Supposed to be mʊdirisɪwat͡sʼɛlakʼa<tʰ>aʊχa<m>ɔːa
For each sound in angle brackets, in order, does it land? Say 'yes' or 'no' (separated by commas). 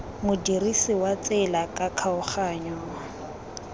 no, no